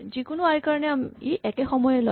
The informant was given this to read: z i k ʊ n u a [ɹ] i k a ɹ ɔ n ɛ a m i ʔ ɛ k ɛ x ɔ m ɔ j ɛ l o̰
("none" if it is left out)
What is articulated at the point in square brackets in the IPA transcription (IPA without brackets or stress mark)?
ɹ